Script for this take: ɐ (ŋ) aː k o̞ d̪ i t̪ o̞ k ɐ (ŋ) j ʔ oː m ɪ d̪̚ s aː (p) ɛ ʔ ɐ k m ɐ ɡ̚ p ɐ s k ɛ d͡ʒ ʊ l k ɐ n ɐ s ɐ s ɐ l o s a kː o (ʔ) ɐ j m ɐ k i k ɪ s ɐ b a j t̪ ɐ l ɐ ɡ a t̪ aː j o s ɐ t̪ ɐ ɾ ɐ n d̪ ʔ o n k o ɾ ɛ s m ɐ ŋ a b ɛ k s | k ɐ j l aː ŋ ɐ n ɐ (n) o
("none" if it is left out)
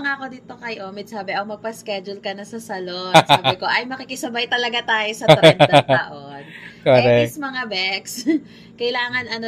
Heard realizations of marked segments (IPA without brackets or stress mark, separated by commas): ŋ, none, b, ʔ, n